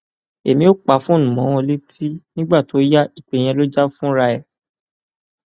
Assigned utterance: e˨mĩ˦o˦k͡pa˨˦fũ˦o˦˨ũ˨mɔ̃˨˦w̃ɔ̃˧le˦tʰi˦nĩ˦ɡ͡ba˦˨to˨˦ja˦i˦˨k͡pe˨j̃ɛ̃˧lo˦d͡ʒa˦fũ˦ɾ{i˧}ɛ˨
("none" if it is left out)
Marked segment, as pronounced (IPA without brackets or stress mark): a˧